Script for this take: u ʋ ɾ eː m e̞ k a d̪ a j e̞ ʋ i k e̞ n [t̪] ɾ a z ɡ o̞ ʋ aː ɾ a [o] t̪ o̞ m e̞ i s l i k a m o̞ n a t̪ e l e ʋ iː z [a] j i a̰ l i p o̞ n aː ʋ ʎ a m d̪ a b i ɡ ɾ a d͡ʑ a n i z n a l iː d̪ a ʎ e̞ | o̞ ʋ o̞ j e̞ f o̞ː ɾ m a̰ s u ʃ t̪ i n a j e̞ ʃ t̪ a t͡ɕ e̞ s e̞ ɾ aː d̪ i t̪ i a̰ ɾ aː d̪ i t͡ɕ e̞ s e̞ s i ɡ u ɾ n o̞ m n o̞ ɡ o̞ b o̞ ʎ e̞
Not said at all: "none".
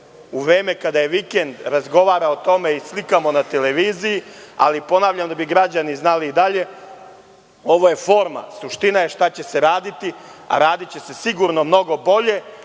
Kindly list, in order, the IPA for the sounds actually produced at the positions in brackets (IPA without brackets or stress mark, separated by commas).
d̪, o, i